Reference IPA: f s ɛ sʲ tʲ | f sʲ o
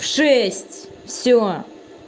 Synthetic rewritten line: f ʂ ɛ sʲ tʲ | f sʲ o